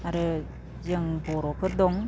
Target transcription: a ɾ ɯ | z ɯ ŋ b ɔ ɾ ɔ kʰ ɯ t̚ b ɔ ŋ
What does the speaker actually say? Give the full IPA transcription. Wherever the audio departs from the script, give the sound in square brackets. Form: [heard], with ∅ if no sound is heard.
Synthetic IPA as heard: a ɾ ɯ | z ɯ ŋ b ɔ ɾ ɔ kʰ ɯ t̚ [d] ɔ ŋ